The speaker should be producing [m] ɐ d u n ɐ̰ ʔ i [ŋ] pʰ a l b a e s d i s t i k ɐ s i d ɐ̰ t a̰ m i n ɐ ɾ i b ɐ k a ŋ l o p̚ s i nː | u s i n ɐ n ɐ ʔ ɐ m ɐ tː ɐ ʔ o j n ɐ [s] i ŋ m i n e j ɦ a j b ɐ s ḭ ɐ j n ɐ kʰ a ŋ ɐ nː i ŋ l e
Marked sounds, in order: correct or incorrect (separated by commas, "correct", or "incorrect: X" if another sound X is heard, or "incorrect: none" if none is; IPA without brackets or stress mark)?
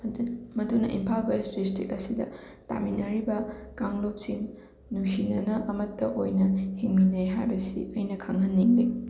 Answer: correct, incorrect: m, incorrect: h